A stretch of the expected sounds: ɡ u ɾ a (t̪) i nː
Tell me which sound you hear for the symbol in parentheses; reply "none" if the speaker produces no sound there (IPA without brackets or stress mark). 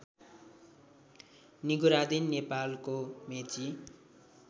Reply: d̪